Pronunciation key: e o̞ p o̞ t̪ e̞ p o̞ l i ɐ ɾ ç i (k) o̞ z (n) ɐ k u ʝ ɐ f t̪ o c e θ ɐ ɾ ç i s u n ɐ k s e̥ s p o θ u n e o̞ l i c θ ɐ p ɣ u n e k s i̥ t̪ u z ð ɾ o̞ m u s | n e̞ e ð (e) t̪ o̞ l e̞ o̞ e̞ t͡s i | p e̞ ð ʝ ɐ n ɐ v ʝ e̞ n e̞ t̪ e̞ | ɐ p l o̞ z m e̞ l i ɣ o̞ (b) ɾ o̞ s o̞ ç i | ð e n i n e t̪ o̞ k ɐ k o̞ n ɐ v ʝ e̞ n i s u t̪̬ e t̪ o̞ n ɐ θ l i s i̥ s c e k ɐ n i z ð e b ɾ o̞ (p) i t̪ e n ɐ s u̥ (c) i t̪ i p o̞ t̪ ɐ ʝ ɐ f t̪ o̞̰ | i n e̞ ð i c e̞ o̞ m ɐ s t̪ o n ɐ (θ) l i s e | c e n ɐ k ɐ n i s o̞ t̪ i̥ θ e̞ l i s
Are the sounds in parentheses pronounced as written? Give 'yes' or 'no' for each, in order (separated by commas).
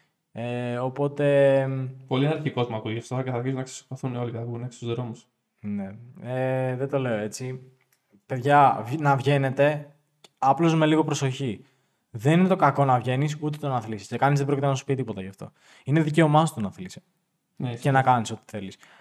yes, no, yes, no, no, no, yes